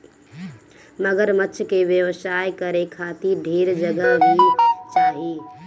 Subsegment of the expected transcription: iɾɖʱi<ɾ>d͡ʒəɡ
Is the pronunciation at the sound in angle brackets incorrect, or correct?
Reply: correct